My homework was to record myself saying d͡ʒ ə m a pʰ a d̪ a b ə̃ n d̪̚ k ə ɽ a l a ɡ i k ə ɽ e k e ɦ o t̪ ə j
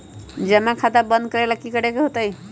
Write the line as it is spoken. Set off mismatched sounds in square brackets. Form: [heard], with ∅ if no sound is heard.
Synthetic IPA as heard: d͡ʒ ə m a [kʰ] a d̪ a b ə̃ n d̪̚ k ə [ɾ] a l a [k] i k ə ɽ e k e ɦ o t̪ ə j